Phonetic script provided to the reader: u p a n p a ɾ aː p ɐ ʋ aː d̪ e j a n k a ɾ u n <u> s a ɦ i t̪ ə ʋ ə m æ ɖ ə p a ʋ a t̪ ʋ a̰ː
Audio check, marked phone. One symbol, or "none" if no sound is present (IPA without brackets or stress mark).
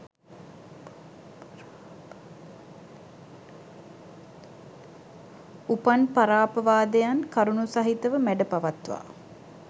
u